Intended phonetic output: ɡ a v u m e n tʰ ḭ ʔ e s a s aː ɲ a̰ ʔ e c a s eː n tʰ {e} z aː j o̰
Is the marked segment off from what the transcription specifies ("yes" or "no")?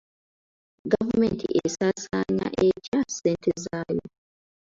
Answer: no